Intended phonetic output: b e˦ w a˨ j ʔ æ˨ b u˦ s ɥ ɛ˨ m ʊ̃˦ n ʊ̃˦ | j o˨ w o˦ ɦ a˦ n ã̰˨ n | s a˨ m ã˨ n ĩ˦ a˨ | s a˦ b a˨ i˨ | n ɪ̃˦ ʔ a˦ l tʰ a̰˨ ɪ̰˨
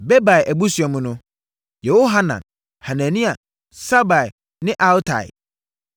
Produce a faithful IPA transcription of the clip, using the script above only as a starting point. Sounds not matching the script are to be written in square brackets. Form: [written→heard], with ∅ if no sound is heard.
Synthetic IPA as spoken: b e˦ [w→b] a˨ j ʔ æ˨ b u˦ s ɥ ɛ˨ m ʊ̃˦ n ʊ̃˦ | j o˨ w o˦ ɦ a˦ n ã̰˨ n | [s→h] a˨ [m→n] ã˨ n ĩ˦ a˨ | s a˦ b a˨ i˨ | n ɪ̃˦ ʔ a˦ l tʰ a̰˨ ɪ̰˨